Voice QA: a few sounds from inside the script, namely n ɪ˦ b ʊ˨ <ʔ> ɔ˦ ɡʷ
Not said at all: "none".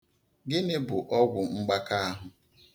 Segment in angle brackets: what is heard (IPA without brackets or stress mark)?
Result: ʔ